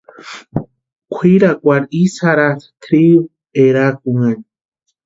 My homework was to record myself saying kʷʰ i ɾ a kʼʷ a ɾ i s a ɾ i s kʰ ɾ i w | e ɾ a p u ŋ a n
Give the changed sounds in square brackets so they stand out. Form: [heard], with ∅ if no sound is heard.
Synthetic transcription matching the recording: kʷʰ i ɾ a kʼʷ a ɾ i s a ɾ [a] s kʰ ɾ i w | e ɾ a [k] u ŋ a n